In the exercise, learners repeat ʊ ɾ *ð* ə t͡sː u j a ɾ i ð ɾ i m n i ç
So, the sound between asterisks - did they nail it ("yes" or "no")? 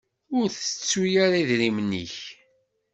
no